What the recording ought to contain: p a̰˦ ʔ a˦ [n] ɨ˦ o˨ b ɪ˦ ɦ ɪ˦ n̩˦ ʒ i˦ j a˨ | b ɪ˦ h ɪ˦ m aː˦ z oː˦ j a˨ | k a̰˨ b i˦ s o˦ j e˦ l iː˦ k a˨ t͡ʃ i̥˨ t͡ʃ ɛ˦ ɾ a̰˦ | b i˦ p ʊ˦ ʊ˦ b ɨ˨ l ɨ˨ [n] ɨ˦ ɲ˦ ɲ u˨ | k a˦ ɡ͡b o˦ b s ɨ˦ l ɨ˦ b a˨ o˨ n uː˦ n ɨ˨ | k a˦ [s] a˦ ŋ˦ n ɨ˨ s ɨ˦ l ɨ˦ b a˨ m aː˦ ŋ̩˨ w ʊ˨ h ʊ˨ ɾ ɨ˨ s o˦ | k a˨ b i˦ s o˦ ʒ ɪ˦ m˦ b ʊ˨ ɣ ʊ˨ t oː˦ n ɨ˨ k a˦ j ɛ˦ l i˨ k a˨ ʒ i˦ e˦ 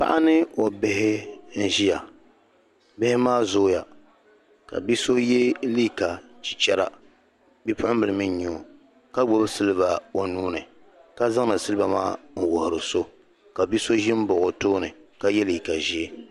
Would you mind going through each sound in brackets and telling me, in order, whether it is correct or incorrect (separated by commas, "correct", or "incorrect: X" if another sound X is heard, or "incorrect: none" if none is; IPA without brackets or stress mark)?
correct, incorrect: m, incorrect: z